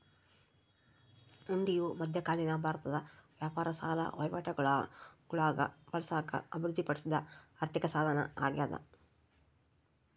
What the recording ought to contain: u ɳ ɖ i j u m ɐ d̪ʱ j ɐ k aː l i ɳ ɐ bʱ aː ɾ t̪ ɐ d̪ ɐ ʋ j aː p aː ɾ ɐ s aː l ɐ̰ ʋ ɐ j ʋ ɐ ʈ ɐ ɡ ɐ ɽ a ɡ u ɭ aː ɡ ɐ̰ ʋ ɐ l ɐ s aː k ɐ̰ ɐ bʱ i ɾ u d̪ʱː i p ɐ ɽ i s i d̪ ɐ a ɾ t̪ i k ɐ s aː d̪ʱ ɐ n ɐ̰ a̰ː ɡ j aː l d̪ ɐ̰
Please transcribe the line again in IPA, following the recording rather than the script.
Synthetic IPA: u ɳ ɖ i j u m ɐ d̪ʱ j ɐ k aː l i n ɐ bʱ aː ɾ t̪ ɐ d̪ ɐ ʋ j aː p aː ɾ ɐ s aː l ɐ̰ ʋ ɐ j ʋ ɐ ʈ ɐ ɡ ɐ ɭ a ɡ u ɭ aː ɡ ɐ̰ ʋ ɐ l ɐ s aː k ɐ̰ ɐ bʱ i ɾ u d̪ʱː i p ɐ ɽ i s i d̪ ɐ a ɾ t̪ i k ɐ s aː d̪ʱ ɐ n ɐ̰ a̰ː ɡ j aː d̪ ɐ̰